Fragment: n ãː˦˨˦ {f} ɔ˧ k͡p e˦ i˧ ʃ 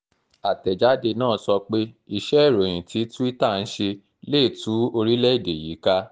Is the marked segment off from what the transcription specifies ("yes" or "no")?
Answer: yes